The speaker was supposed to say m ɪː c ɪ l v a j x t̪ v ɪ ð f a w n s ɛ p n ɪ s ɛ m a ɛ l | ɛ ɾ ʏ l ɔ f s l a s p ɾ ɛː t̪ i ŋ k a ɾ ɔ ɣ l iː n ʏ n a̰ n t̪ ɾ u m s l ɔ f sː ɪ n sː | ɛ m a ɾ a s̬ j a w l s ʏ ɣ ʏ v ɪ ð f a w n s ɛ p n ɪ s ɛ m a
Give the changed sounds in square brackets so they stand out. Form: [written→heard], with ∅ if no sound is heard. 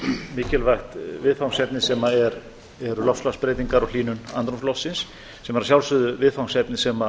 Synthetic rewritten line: m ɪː c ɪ l v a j x t̪ v ɪ ð f a w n s ɛ p n ɪ s ɛ m a ɛ [l→ɾ] | ɛ ɾ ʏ l ɔ f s l a s p ɾ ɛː t̪ i ŋ k a ɾ ɔ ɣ l iː n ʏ n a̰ n t̪ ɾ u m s l ɔ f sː ɪ n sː | ɛ m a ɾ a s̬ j a w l s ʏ [ɣ→ð] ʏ v ɪ ð f a w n s ɛ p n ɪ s ɛ m a